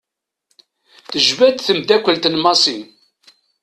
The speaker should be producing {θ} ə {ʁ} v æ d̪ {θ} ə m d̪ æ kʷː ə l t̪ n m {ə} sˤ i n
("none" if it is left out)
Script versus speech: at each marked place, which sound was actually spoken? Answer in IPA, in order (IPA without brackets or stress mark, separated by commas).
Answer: θ, ʒ, θ, ɑ